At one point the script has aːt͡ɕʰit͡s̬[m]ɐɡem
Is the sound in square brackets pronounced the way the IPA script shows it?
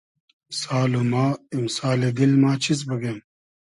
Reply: no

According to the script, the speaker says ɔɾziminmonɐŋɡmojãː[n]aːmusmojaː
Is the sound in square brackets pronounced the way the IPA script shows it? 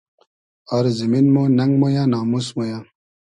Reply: yes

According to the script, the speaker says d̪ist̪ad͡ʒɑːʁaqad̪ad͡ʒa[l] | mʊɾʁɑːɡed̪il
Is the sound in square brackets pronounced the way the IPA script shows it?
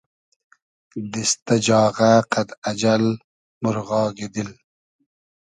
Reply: yes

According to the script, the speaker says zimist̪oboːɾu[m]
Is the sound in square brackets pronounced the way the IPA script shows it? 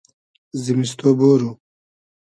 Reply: no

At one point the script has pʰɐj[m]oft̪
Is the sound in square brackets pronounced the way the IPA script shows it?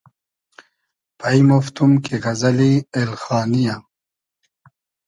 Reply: yes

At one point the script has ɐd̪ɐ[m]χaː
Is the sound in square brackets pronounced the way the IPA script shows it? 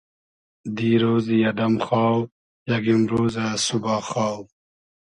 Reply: yes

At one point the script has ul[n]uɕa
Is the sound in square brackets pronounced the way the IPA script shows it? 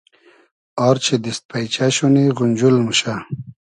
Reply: no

